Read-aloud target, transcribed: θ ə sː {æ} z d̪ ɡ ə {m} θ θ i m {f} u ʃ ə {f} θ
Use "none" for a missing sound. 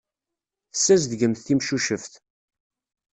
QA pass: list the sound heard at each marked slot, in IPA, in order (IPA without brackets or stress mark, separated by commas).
æ, m, ʃ, f